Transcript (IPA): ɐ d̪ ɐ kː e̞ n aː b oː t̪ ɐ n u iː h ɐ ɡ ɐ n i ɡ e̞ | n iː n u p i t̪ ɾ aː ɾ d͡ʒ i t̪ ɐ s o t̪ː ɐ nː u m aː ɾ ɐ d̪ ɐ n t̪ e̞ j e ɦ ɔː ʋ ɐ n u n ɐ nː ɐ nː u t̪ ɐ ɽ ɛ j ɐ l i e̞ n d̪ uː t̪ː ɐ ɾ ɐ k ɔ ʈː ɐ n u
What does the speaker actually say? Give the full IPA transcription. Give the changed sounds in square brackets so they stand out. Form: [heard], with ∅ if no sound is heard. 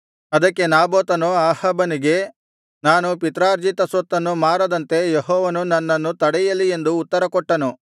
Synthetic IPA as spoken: ɐ d̪ ɐ kː e̞ n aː b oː t̪ ɐ n u [aː] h ɐ [b] ɐ n i ɡ e̞ | n [aː] n u p i t̪ ɾ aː ɾ d͡ʒ i t̪ ɐ s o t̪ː ɐ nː u m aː ɾ ɐ d̪ ɐ n t̪ e̞ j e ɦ ɔː ʋ ɐ n u n ɐ nː ɐ nː u t̪ ɐ ɽ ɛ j ɐ l i e̞ n d̪ uː t̪ː ɐ ɾ ɐ k ɔ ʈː ɐ n u